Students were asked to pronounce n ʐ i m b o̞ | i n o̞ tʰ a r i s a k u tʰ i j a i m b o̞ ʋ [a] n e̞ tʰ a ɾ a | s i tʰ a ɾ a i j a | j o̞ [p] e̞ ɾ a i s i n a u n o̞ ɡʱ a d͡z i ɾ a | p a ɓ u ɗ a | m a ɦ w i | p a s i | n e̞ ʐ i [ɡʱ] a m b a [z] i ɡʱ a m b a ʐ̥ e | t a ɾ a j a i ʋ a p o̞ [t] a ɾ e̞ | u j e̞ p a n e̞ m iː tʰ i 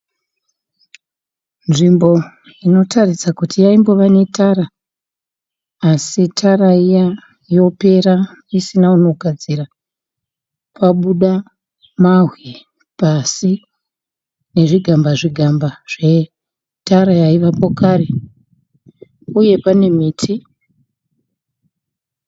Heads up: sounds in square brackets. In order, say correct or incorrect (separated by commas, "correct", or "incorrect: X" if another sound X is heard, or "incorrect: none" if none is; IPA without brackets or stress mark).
correct, correct, correct, incorrect: ʐ, incorrect: k